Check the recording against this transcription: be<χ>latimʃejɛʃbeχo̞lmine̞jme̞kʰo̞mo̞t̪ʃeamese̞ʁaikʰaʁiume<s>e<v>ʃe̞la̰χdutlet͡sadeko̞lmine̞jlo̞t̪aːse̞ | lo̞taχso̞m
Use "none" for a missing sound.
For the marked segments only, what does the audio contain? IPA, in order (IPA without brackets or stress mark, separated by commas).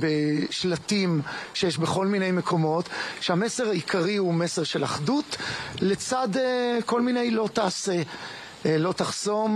ʃ, s, ʁ